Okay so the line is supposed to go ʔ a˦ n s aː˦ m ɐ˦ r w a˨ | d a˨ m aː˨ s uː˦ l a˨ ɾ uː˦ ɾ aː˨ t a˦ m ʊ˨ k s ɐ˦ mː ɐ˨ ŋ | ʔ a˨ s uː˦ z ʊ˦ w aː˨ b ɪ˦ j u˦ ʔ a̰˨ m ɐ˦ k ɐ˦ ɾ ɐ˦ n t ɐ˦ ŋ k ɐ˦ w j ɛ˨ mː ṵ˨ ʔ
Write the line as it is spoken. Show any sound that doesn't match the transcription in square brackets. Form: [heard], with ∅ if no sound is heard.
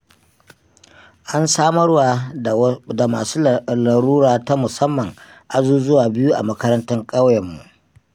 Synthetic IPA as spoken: ʔ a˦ n s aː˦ m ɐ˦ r w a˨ | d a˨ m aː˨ s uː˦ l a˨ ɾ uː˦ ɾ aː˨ t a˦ m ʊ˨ [∅] s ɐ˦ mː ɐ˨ ŋ | ʔ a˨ [z] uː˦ z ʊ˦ w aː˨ b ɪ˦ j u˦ ʔ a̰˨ m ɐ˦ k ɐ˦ ɾ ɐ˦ n t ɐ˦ ŋ [kʼ] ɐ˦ w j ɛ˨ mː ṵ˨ ʔ